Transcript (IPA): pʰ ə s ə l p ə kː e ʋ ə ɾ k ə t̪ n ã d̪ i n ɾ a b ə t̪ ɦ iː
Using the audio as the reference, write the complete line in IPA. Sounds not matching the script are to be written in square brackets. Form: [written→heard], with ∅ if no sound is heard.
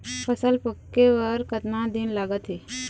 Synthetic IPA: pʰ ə s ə l p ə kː e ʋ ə ɾ k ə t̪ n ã d̪ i n [ɾ→l] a [b→ɡ] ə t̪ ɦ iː